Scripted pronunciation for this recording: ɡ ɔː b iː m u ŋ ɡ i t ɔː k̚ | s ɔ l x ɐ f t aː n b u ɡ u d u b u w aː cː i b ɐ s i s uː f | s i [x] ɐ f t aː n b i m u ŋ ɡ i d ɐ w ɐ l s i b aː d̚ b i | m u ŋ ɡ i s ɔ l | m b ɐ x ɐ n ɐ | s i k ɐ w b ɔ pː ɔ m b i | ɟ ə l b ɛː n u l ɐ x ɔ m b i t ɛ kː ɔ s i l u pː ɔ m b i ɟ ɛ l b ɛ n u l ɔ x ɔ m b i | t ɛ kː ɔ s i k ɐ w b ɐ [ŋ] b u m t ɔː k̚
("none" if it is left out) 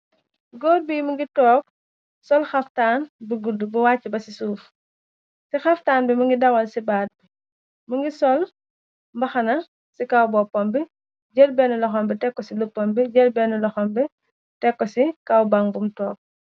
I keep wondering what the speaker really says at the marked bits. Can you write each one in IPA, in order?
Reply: x, ŋ

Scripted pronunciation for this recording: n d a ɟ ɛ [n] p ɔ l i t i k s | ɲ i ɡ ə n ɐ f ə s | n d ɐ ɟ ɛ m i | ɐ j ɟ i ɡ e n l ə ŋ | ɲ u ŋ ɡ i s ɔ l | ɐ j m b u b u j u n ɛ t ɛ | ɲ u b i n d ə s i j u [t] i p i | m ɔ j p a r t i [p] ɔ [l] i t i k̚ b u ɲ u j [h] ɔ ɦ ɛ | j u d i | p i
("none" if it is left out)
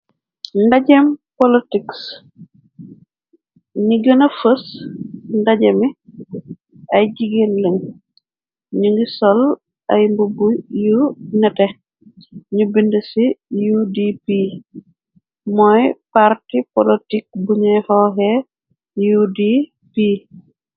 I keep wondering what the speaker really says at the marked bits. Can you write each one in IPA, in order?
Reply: m, d, p, l, h

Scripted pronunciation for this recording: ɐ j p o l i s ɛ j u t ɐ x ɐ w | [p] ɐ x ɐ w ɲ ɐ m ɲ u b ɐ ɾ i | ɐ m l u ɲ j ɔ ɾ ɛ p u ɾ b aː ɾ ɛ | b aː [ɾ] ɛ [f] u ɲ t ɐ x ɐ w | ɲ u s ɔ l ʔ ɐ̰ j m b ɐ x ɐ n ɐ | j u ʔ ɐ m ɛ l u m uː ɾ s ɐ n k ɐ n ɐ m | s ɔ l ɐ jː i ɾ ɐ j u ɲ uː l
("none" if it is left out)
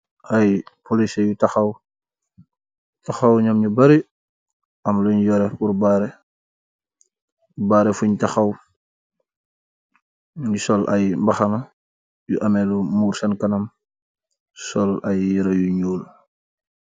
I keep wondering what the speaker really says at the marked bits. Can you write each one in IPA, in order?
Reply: t, ɾ, f

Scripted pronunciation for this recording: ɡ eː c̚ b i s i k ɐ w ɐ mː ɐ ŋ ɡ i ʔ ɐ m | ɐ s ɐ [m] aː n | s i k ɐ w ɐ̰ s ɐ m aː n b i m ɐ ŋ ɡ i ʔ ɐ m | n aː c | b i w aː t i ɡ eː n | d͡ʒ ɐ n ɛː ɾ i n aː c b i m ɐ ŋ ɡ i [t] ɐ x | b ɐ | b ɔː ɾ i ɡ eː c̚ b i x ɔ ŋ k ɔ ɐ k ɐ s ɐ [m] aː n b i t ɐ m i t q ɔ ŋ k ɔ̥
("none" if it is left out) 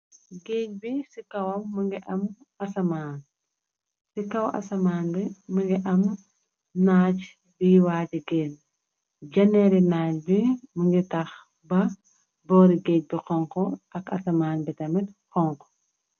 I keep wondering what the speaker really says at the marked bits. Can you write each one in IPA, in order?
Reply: m, t, m

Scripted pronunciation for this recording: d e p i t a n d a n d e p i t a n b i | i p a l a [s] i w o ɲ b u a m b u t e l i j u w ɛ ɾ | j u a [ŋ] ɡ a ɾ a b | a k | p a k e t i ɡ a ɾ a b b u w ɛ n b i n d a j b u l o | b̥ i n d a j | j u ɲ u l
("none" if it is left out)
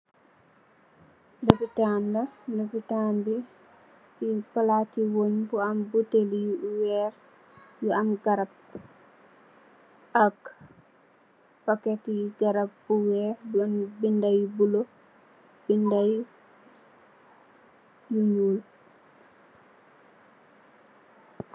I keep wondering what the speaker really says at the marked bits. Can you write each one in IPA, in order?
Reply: t, m

